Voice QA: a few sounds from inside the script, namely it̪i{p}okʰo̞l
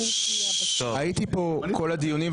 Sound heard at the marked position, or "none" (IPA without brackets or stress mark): p